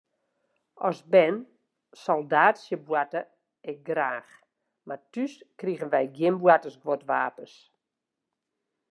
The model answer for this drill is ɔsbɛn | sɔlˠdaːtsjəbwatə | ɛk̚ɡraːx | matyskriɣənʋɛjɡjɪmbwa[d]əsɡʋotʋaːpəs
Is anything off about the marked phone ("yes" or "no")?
yes